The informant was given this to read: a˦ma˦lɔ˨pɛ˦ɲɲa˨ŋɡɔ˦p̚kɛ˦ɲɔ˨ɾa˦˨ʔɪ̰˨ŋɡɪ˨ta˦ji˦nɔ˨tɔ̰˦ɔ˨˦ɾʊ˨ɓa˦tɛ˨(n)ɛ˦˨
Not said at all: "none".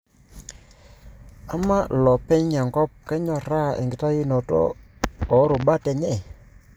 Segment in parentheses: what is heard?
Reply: ɲ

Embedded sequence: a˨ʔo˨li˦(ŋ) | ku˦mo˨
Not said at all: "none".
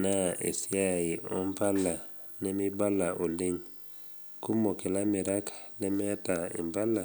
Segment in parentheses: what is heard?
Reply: ɲ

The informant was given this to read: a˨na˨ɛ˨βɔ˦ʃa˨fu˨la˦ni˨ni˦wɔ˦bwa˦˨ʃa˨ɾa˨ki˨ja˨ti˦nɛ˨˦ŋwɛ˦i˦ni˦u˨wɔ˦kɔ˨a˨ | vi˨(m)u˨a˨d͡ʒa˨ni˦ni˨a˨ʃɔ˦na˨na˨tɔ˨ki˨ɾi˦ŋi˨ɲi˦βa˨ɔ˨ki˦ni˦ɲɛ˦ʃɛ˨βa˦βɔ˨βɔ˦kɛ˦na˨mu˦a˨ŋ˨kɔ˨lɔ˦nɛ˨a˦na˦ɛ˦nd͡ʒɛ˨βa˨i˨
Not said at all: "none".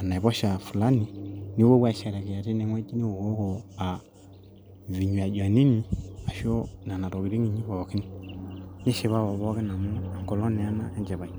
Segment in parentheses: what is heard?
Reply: ɲ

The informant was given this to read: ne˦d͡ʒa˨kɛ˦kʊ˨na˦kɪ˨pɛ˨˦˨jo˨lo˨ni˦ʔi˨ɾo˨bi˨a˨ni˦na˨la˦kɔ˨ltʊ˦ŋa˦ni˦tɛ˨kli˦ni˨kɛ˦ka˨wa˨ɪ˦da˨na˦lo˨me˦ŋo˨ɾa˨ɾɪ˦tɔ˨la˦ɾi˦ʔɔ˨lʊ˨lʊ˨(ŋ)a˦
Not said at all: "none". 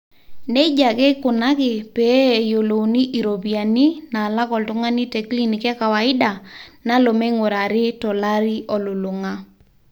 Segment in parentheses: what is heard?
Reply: ŋ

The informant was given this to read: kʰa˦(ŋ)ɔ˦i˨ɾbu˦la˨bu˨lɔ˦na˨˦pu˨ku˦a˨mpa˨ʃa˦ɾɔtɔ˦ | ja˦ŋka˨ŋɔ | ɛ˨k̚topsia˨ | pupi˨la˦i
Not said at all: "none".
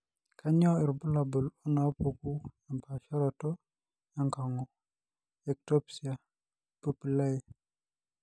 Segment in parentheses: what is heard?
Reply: ɲ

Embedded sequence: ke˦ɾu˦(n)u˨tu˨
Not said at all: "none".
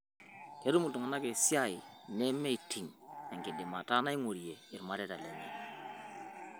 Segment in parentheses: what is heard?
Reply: m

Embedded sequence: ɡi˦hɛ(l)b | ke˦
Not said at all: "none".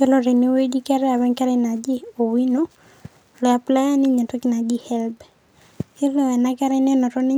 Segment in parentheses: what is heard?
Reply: l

